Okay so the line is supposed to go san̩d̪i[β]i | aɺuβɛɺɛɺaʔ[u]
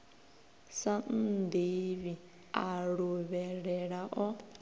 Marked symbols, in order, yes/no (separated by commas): yes, no